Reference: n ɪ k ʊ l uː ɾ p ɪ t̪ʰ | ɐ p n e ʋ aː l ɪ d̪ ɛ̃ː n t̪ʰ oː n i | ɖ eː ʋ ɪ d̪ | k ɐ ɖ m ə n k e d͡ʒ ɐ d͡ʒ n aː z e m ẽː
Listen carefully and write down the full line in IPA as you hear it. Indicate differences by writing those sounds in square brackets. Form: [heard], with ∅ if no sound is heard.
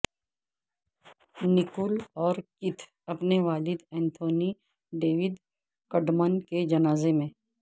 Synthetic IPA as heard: n ɪ k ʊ l [ɔː] ɾ [k] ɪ t̪ʰ | ɐ p n e ʋ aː l ɪ d̪ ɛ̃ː n t̪ʰ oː n i | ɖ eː ʋ ɪ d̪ | k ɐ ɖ m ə n k e d͡ʒ ɐ [∅] n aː z e m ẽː

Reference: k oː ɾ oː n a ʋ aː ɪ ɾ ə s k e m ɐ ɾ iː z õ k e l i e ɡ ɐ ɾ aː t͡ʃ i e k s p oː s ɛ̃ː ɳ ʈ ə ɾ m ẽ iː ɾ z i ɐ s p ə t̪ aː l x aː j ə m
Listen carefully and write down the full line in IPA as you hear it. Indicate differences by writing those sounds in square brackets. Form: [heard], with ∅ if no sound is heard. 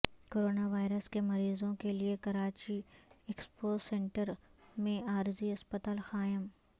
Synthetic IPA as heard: k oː ɾ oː n a ʋ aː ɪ ɾ ə s k e m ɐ ɾ iː z õ k e l i e [k] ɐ ɾ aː t͡ʃ i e k s p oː s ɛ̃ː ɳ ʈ ə ɾ m ẽ [aː] ɾ z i ɐ s p ə t̪ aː l x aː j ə m

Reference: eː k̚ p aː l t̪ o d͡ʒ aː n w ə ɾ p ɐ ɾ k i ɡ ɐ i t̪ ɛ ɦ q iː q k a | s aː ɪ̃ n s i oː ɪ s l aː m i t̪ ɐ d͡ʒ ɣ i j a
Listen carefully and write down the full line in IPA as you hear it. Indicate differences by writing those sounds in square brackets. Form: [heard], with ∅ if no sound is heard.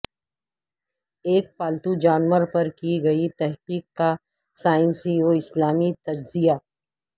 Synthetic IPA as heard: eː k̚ p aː l t̪ [u] d͡ʒ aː n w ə ɾ p ɐ ɾ k i ɡ ɐ i t̪ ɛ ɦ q iː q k a | s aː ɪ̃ n s i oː ɪ s l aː m i t̪ ɐ d͡ʒ [z] i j a

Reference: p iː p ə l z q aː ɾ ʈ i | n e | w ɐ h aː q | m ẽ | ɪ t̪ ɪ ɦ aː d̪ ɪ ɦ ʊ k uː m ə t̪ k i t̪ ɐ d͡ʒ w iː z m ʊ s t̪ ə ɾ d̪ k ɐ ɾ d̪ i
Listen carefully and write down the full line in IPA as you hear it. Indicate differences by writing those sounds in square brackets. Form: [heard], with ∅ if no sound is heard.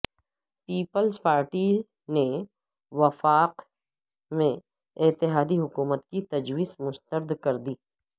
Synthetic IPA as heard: p iː p ə l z [p] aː ɾ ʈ i | n e | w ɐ [f] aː q | m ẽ | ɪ t̪ ɪ ɦ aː d̪ [i] ɦ ʊ k uː m ə t̪ k i t̪ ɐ d͡ʒ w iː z m ʊ s t̪ ə ɾ d̪ k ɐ ɾ d̪ [iː]

